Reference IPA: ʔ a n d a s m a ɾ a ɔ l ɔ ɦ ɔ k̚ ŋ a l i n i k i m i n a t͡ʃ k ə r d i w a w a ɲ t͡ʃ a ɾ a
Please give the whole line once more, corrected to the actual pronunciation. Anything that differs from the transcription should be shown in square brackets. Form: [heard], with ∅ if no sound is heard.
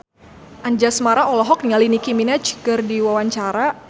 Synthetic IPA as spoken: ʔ a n [d͡ʒ] a s m a ɾ a ɔ l ɔ ɦ ɔ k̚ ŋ a l i n i k i m i n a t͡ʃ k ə r d i w a w a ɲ t͡ʃ a ɾ a